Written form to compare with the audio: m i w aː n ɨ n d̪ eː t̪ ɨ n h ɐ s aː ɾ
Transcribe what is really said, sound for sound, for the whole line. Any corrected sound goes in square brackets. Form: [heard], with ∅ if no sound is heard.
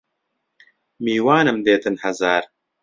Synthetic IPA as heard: m [iː] w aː n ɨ [m] d̪ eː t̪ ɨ n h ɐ [z] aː ɾ